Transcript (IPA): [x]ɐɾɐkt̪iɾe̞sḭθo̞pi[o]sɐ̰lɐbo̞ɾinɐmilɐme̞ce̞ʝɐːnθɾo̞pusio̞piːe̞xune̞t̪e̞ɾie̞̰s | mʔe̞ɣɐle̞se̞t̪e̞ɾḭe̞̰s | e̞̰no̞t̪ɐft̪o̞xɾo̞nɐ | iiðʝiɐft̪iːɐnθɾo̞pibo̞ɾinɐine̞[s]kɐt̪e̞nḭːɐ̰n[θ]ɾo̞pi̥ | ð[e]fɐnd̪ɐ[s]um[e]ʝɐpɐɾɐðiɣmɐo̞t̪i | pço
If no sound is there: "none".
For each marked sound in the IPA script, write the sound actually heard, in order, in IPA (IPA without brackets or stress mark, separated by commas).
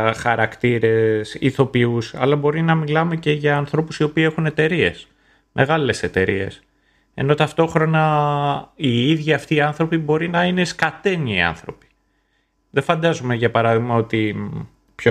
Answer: x, u, s, θ, e, z, e